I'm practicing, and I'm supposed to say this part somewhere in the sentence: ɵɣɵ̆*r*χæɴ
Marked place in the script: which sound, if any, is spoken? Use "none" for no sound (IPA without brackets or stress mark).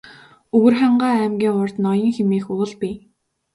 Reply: r